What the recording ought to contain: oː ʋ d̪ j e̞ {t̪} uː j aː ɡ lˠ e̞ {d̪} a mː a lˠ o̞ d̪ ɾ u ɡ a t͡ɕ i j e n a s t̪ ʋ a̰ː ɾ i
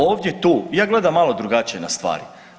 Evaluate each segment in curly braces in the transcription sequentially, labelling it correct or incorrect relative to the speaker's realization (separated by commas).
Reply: correct, correct